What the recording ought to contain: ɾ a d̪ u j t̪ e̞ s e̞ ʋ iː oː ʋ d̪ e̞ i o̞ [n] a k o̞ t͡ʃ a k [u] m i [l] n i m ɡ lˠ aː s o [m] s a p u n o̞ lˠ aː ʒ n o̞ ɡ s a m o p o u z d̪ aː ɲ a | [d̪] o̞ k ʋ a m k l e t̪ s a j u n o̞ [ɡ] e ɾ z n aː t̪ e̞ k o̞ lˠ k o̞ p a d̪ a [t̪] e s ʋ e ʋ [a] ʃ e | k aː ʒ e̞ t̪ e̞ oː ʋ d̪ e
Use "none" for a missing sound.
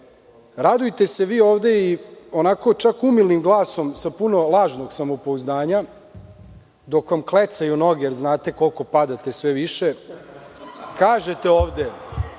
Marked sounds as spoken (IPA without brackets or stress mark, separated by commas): n, u, l, m, d̪, ɡ, t̪, i